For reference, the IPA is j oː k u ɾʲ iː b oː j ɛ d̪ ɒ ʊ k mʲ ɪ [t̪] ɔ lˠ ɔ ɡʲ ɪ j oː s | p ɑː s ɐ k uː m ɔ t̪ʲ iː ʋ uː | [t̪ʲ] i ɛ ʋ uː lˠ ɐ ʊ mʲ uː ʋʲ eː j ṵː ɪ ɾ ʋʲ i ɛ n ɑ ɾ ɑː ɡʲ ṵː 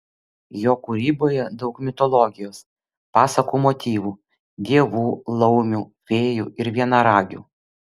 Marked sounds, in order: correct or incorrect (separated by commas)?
correct, incorrect